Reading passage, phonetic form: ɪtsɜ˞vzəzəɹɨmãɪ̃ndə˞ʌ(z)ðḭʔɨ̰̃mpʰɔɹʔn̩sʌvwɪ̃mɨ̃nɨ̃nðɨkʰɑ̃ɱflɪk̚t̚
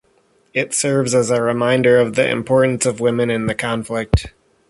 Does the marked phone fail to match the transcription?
yes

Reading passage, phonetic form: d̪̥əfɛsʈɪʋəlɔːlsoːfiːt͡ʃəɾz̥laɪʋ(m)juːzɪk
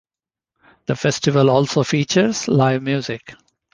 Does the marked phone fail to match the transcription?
no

